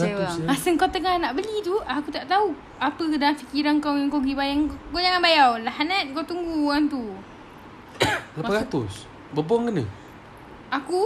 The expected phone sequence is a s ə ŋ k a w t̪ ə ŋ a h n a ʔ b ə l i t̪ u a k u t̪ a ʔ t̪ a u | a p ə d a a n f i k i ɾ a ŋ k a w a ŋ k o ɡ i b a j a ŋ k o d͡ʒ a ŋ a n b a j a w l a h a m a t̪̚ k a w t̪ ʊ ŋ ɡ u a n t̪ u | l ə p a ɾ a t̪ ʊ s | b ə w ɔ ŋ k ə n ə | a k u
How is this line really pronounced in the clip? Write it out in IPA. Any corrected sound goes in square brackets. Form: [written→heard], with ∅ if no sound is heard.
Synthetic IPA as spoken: a s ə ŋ k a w t̪ ə ŋ a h n a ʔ b ə l i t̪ u a k u t̪ a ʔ t̪ a u | a p ə d a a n f i k i ɾ a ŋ k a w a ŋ k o ɡ i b a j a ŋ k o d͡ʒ a ŋ a n b a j a w l a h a [m→n] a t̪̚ k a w t̪ [ʊ→u] ŋ ɡ u a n t̪ u | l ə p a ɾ a t̪ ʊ s | b ə [w→b] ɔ ŋ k ə n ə | a k u